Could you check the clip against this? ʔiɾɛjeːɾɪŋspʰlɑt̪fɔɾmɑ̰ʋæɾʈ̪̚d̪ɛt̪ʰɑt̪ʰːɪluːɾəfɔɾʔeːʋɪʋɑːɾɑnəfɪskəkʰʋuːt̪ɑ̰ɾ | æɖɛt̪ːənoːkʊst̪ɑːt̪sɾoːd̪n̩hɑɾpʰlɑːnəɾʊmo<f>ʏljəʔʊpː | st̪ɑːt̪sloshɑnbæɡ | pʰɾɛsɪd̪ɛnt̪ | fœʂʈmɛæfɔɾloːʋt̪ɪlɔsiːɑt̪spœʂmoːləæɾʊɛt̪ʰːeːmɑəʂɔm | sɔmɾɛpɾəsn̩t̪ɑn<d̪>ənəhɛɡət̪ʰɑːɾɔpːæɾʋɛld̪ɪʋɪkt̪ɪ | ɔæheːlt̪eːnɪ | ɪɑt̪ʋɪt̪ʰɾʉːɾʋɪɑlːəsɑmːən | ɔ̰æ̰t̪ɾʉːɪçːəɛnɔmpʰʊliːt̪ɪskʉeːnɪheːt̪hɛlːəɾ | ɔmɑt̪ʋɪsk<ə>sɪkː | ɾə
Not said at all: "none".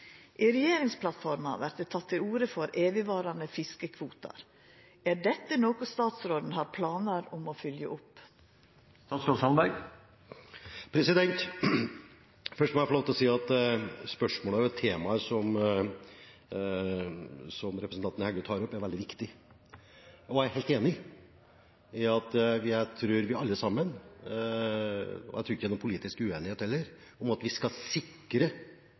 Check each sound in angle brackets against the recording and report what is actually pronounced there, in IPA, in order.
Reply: f, t̪, ɑ

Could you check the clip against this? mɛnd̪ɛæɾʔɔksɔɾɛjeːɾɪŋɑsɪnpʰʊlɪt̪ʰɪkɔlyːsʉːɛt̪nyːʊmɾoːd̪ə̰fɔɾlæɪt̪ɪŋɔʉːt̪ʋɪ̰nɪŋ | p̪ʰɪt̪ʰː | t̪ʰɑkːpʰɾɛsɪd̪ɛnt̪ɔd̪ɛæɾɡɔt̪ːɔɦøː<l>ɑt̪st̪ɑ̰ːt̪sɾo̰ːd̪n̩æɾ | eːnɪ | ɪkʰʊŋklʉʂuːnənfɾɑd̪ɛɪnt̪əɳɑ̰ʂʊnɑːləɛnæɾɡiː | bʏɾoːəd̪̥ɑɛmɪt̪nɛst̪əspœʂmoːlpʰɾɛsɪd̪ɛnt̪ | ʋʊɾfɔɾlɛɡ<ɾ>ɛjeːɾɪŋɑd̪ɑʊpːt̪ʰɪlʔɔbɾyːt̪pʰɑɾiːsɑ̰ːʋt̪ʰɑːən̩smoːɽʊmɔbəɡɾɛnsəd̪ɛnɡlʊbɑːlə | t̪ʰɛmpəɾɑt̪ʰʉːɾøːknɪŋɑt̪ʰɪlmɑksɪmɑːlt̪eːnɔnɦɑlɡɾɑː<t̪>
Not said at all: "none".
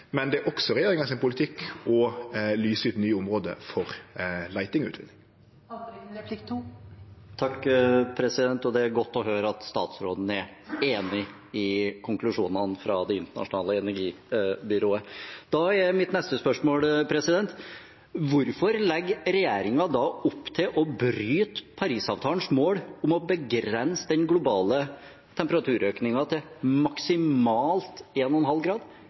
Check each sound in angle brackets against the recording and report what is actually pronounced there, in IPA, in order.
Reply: ɾ, ɾ, d̪

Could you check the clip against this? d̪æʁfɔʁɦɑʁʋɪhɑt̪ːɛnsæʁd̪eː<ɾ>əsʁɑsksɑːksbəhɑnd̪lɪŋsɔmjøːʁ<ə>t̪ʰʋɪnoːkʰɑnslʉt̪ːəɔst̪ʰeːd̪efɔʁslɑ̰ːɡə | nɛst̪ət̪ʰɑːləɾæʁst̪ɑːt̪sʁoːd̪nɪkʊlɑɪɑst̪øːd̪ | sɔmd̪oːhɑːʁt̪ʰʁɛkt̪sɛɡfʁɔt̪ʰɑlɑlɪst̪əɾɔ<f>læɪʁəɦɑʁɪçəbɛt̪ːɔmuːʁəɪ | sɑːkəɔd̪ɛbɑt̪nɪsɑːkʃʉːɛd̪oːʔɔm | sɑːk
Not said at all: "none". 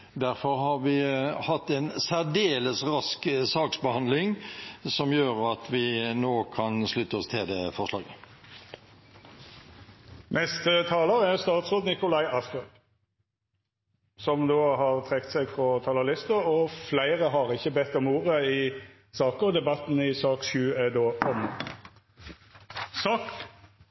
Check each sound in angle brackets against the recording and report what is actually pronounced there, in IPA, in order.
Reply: l, ɑ, f

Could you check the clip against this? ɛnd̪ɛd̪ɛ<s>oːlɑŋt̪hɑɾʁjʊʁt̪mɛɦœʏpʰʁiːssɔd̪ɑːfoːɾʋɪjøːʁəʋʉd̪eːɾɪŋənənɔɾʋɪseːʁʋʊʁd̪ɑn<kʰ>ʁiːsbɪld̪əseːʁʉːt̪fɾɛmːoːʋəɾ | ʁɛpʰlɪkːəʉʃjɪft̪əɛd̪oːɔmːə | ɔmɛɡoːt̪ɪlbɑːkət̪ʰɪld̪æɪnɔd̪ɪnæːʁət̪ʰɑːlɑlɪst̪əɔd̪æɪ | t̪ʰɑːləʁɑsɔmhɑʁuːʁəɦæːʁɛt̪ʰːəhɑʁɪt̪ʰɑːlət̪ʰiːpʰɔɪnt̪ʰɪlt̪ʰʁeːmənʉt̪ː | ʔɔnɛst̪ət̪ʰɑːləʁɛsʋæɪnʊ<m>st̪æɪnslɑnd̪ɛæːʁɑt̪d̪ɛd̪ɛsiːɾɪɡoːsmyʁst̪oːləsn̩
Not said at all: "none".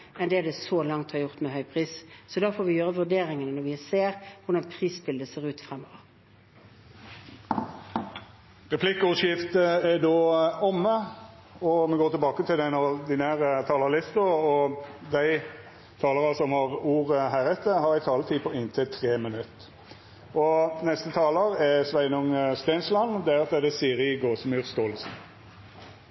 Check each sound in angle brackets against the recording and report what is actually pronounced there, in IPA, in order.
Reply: s, pʰ, ŋ

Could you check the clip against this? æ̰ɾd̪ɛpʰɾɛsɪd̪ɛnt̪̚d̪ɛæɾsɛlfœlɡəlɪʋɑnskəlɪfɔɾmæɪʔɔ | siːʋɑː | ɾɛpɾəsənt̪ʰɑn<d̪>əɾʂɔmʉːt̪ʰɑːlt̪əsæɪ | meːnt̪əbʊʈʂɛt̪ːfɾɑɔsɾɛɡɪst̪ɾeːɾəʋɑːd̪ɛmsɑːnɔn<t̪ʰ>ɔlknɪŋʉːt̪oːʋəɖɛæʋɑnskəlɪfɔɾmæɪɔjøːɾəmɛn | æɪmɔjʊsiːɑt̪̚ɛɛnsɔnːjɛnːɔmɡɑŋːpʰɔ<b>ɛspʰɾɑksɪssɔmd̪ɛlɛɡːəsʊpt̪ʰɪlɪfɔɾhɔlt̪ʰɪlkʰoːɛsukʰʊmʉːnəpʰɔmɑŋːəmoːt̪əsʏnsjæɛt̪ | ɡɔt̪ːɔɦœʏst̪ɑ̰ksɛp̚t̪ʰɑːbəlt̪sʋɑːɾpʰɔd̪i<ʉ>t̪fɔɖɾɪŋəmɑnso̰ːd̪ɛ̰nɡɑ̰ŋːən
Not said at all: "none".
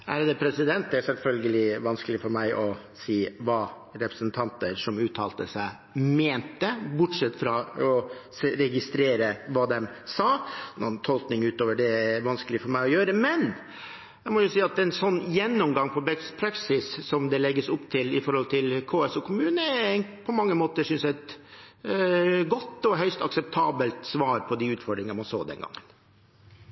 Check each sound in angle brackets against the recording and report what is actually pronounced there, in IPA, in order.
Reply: t̪, t̪ʰ, b, ʉː

